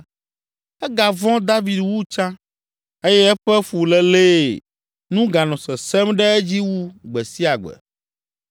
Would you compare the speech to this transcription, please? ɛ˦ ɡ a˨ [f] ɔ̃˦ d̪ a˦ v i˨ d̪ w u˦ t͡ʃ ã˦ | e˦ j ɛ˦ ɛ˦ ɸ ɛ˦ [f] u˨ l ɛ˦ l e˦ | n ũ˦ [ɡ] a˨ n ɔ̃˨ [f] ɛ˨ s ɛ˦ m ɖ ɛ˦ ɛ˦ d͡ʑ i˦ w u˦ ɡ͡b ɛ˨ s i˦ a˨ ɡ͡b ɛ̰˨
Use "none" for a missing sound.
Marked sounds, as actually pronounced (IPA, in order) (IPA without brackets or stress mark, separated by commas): v, f, ɡ, s